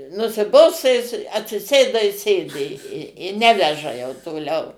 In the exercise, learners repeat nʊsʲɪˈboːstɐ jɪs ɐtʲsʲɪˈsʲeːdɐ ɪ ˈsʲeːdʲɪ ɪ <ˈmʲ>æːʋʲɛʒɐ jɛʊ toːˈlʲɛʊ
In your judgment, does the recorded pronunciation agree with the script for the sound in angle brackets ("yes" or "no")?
no